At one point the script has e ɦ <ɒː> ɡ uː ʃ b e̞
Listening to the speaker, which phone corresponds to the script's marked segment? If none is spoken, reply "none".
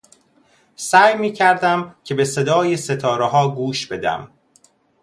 ɒː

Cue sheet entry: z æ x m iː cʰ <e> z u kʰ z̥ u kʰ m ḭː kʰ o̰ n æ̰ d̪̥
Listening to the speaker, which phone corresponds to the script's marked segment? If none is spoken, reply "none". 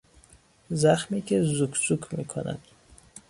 e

